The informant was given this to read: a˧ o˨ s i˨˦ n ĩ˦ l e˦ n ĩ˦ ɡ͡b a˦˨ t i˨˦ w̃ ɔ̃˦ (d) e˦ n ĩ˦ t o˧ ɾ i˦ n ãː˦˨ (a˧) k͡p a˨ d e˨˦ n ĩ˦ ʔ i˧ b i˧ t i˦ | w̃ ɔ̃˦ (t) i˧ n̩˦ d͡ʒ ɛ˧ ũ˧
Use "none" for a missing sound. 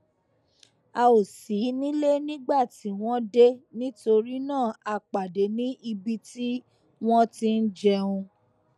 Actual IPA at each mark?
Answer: d, a˧, t

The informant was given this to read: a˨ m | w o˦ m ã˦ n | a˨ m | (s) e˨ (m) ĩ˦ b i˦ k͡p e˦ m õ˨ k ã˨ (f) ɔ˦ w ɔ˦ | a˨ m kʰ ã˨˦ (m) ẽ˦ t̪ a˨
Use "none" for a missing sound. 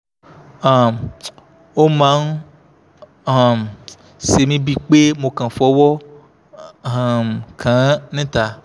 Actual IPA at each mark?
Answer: s, m, f, n

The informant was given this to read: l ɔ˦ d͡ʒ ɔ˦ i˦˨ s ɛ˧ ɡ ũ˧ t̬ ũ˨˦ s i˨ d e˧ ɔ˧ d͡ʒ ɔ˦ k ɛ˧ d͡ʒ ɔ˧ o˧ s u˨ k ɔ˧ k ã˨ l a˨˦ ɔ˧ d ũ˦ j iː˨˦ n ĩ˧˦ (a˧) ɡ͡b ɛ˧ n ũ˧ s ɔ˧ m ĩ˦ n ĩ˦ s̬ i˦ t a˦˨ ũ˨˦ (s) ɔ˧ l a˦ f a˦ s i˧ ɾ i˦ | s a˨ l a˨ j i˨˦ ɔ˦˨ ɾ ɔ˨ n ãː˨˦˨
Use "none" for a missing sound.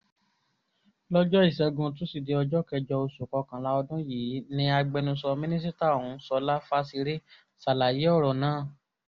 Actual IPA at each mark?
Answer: a˧, s

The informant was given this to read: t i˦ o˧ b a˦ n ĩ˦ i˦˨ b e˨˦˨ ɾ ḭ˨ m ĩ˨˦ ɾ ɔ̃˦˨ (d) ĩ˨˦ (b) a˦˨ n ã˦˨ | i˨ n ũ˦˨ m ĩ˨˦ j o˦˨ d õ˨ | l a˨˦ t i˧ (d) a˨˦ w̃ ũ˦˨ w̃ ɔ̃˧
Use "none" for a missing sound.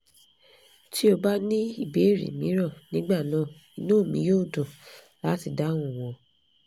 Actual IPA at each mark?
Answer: n, ɡ͡b, d

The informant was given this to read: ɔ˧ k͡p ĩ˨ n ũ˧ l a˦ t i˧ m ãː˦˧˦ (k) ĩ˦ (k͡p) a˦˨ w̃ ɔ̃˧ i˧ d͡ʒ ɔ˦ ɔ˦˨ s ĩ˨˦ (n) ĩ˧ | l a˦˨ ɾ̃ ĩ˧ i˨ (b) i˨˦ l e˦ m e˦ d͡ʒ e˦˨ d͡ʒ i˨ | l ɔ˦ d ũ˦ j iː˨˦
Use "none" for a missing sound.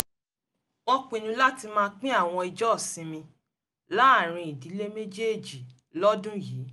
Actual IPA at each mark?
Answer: k͡p, none, m, d

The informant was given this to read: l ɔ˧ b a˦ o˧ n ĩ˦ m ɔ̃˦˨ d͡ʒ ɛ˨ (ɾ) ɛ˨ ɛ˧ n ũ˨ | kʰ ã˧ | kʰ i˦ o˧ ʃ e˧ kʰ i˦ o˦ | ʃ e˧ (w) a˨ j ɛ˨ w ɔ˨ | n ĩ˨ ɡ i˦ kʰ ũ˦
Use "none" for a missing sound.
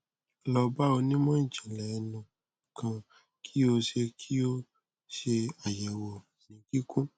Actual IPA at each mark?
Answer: l, none

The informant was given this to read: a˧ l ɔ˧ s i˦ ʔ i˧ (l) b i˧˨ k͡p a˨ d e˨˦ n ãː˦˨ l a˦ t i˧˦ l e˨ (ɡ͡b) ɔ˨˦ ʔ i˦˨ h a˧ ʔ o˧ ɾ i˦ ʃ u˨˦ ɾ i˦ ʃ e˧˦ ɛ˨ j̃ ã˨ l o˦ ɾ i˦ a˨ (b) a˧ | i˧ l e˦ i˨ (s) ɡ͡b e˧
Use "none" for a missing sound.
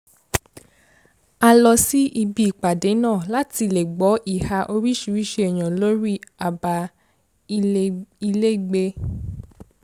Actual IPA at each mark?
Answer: none, ɡ͡b, b, none

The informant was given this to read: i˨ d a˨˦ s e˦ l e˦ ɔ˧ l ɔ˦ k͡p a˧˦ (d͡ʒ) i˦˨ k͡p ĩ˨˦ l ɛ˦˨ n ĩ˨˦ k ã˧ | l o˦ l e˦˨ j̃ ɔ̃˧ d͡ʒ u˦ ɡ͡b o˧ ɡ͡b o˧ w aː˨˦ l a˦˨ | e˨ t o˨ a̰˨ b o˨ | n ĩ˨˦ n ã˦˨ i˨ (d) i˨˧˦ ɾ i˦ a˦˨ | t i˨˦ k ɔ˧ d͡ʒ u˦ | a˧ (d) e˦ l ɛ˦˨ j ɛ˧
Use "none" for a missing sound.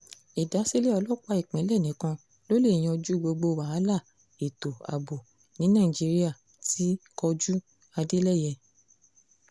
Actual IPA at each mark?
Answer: none, d͡ʒ, d

